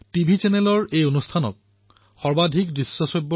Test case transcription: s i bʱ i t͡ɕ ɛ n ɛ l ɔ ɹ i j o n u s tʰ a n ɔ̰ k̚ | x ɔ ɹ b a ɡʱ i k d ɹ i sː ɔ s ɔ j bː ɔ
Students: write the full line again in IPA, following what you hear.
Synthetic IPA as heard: t i bʱ i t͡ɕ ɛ n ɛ l ɔ ɹ e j o n u s tʰ a n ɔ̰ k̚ | x ɔ ɹ b a dʱ i k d ɹ i sː ɔ s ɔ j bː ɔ

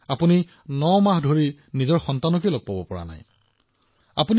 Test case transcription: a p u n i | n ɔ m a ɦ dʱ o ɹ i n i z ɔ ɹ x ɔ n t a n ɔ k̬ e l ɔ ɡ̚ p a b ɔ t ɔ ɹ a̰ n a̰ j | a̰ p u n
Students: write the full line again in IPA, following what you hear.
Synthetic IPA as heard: a p u n i | n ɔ m a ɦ dʱ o ɹ i n i z ɔ ɹ x ɔ n t a n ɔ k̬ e l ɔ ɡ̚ p a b ɔ p ɔ ɹ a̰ n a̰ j | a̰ p u n

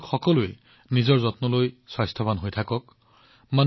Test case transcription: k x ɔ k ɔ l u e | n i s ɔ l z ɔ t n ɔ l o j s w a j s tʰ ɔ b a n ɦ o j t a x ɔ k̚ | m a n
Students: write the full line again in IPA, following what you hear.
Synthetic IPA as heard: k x ɔ k ɔ l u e | n i z ɔ ɹ z ɔ t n ɔ l o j s w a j s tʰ ɔ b a n ɦ o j tʰ a k ɔ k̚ | m a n

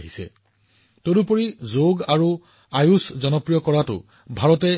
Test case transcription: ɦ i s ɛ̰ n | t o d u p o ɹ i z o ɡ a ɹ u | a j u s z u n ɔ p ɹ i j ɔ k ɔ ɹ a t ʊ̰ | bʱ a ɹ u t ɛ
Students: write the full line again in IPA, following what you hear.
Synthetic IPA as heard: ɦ i s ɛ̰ | t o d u p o ɹ i z o ɡ a ɹ u | a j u s z ɔ n ɔ p ɹ i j ɔ k ɔ ɹ a t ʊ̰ | bʱ a ɹ ɔ t ɛ

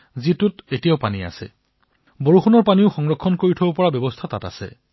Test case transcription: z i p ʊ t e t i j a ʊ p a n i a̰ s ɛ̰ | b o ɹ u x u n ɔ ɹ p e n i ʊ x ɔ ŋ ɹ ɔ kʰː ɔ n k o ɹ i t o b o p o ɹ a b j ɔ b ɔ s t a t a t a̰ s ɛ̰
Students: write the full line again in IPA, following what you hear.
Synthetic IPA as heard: z i t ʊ t e t i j a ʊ p a n i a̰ s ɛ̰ | b o ɹ u x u n ɔ ɹ p a n i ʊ x ɔ ŋ ɹ ɔ kʰː ɔ n k o ɹ i tʰ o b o p ɔ ɹ a b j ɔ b ɔ s tʰ a t a t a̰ s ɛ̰

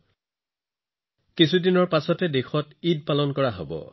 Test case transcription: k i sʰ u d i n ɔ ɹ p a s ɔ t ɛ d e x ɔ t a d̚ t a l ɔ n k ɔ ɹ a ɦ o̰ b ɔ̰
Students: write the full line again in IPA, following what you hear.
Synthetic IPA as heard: k i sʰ u d i n ɔ ɹ p a s ɔ t ɛ d e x ɔ t i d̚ p a l ɔ n k ɔ ɹ a ɦ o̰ b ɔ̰

